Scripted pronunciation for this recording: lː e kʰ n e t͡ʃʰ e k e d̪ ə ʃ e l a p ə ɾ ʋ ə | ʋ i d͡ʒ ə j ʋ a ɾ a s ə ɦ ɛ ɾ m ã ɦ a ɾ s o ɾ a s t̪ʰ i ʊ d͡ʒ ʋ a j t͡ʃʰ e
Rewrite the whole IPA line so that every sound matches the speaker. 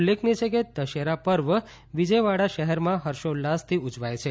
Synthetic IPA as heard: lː e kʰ n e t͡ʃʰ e k e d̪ ə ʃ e ɾ a p ə ɾ ʋ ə | ʋ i d͡ʒ ə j ʋ a ɽ a ʃ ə ɦ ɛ ɾ m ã ɦ ə ɾ ʃ o l a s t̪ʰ i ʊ d͡ʒ ʋ a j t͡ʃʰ e

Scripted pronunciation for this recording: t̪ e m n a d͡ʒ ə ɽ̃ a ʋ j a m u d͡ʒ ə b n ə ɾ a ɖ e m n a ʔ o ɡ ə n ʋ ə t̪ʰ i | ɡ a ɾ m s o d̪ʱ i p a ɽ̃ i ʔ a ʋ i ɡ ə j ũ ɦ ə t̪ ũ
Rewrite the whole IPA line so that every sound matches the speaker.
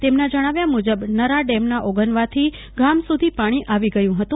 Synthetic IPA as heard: t̪ e m n a d͡ʒ ə ɽ̃ a ʋ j a m u d͡ʒ ə b n ə ɾ a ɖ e m n a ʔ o ɡ ə n ʋ a t̪ʰ i | ɡ a m s u d̪ʱ i p a ɽ̃ i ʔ a ʋ i ɡ ə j ũ ɦ ə t̪ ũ

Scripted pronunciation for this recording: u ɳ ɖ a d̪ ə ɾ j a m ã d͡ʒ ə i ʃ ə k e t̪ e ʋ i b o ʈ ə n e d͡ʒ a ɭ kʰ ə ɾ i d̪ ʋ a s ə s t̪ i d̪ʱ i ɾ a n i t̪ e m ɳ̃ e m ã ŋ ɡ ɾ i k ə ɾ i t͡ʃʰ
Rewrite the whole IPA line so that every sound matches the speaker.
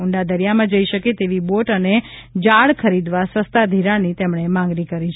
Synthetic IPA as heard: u ɳ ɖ a d̪ ə ɾ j a m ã d͡ʒ ə i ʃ ə k e t̪ e ʋ i b o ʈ ə n e d͡ʒ a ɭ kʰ ə ɾ i d̪ ʋ a s ə s t̪ a d̪ʱ i ɾ a n i t̪ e m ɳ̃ e m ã ŋ ɡ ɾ i k ə ɾ i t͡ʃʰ

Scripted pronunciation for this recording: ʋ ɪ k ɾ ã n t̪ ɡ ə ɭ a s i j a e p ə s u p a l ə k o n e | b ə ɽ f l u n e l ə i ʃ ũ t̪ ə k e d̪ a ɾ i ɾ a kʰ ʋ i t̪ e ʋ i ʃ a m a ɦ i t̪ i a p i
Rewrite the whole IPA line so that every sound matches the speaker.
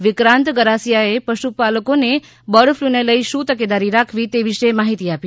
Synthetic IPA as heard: ʋ ɪ k ɾ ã n t̪ ɡ ə ɾ a s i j a e p ə ʃ u p a l ə k o n e | b ə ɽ f l u n e l ə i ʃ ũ t̪ ə k e d̪ a ɾ i ɾ a kʰ ʋ i t̪ e ʋ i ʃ e m a ɦ i t̪ i a p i

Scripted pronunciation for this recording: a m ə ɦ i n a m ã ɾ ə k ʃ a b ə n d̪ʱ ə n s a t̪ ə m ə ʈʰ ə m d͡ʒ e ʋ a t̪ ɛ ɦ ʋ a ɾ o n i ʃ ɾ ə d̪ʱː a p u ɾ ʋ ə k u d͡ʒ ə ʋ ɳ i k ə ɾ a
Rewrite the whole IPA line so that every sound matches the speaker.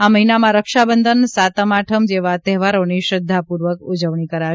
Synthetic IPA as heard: a m ə ɦ i n a m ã ɾ ə k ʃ a b ə n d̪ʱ ə n s a t̪ ə m a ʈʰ ə m d͡ʒ e ʋ a t̪ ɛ ɦ ʋ a ɾ o n i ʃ ɾ ə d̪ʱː a p u ɾ ʋ ə k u d͡ʒ ə ʋ ɳ i k ə ɾ a

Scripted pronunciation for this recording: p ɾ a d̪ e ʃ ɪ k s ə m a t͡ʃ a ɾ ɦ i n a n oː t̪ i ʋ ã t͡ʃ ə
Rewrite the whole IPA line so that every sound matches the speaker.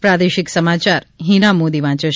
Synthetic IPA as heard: p ɾ a d̪ e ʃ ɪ k s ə m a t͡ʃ a ɾ ɦ i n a m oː d̪ i ʋ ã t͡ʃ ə

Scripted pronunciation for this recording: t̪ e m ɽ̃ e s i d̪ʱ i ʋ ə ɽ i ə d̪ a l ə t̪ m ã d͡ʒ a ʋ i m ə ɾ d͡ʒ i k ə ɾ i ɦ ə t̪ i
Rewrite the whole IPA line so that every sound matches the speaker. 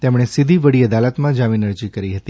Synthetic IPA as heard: t̪ e m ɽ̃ e s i d̪ʱ i ʋ ə ɽ i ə d̪ a l ə t̪ m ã d͡ʒ a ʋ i n ə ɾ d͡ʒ i k ə ɾ i ɦ ə t̪ i

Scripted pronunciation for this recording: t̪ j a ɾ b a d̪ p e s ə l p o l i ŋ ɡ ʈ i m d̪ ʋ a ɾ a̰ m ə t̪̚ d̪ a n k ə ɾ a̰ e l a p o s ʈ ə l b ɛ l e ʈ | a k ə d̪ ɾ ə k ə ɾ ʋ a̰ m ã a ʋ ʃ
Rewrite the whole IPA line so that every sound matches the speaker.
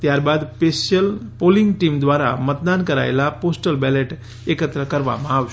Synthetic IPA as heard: t̪ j a ɾ b a d̪ p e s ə l p o l i ŋ ɡ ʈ i m d̪ ʋ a ɾ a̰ m ə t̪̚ d̪ a n k ə ɾ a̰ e l a p o s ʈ ə l b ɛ l e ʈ | e k ə t̪ ɾ ə k ə ɾ ʋ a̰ m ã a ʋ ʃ

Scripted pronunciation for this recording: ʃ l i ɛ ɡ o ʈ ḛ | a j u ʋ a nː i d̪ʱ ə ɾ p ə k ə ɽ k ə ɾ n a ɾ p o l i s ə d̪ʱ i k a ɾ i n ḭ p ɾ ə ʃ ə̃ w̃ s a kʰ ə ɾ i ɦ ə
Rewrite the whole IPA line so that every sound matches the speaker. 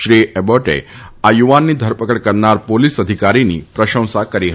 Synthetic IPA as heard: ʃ ɾ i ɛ b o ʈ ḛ | a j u ʋ a nː i d̪ʱ ə ɾ p ə k ə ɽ k ə ɾ n a ɾ p o l i s ə d̪ʱ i k a ɾ i n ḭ p ɾ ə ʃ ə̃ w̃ s a k ə ɾ i ɦ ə

